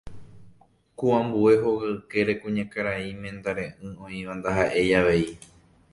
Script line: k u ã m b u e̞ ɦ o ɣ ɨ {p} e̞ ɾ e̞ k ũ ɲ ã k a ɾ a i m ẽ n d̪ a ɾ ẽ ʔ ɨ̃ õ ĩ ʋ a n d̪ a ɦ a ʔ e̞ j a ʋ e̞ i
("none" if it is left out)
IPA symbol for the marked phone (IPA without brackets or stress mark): k